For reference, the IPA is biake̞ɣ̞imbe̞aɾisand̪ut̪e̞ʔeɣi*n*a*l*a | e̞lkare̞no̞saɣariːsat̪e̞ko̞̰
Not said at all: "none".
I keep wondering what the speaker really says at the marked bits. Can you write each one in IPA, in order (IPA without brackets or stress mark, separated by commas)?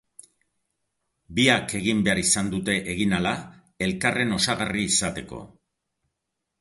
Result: n, l